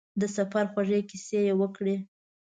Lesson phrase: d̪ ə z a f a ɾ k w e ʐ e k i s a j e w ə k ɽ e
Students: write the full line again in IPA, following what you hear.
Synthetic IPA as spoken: d̪ ə s a f a ɾ x w a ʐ e k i s e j e w ə k ɽ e